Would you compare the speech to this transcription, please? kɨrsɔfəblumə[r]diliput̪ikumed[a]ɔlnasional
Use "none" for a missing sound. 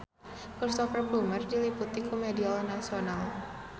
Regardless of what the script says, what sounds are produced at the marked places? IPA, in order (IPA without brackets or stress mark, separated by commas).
r, i